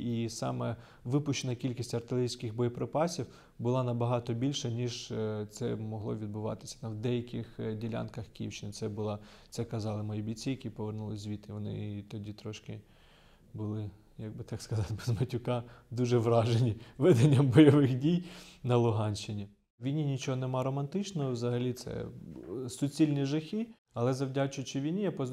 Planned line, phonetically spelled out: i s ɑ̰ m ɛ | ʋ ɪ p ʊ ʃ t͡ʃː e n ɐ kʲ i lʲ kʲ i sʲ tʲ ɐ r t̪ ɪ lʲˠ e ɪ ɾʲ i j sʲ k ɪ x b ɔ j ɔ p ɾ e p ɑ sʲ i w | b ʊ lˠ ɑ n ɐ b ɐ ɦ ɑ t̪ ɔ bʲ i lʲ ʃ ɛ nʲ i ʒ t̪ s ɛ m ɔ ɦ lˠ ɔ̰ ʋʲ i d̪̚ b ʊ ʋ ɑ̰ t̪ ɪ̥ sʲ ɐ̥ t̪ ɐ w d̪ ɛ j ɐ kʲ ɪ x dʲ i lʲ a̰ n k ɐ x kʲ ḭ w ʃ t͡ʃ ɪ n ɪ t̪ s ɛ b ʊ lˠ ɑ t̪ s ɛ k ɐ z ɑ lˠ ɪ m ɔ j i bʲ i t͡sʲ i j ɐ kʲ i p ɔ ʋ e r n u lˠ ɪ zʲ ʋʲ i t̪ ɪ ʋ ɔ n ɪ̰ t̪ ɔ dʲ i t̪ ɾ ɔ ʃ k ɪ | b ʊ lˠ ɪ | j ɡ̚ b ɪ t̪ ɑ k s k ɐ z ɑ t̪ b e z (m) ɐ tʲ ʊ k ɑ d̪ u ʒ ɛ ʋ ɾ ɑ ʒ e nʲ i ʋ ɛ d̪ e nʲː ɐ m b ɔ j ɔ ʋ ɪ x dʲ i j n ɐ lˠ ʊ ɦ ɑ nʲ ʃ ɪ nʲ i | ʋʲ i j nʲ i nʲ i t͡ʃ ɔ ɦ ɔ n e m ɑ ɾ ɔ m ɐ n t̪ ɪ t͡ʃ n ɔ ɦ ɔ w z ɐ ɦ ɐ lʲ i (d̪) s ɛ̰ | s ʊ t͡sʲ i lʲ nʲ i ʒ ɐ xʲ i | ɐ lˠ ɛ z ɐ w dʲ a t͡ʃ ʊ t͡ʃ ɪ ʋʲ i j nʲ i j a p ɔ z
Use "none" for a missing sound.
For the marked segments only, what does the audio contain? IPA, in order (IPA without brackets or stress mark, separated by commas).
m, t̪